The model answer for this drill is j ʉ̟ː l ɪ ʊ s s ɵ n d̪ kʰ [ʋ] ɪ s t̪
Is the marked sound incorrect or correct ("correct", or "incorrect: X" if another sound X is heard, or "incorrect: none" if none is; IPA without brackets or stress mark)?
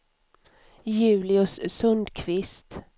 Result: incorrect: v